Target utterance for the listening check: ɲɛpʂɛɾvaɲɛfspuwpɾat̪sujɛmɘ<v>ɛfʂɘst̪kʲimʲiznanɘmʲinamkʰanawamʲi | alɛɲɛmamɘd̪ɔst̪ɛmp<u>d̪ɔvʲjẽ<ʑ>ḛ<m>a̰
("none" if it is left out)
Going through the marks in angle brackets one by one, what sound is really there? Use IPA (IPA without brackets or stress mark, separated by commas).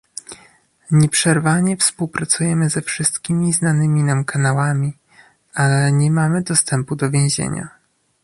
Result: z, u, ʑ, ɲ